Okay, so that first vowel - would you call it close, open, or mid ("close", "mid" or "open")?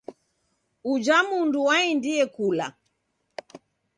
close